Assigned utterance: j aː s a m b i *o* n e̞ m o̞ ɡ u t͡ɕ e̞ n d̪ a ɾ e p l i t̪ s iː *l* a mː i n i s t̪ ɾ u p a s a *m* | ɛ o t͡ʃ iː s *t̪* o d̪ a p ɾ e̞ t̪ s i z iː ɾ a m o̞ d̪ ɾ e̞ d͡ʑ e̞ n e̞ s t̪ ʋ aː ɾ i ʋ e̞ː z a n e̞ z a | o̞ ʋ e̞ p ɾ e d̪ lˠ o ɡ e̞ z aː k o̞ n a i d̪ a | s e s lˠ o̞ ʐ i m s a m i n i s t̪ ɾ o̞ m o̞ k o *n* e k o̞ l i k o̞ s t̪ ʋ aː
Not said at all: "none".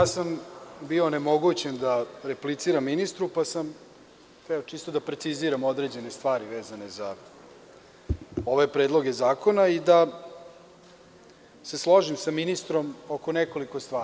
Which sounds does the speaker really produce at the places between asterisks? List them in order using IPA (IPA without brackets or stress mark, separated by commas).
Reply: o, ɾ, m, t̪, n